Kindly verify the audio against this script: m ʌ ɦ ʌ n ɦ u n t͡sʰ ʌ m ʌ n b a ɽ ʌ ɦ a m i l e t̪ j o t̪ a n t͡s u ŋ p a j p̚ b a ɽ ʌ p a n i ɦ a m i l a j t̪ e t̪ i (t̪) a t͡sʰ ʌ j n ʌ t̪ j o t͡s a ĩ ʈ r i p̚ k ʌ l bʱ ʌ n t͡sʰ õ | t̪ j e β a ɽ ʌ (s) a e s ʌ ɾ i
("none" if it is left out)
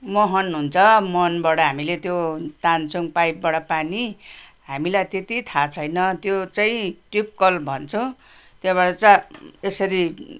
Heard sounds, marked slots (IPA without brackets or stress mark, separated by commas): t̪ʰ, t͡s